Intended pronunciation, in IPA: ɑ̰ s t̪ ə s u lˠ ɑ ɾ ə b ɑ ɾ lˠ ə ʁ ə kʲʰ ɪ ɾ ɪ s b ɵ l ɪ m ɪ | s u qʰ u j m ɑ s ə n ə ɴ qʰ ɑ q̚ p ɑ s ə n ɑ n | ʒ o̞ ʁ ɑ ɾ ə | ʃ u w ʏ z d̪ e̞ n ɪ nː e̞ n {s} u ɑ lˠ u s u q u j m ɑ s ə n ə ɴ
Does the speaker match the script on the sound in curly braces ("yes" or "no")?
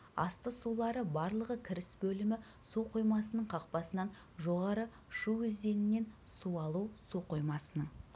yes